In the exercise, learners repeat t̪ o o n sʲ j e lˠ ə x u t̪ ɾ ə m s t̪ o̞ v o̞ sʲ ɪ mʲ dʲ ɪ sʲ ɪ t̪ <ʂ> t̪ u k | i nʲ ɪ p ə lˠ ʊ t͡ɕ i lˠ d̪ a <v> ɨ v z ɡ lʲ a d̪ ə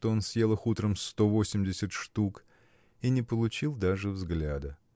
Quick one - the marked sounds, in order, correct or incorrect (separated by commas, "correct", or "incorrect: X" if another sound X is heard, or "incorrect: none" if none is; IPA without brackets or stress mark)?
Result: correct, incorrect: ʐ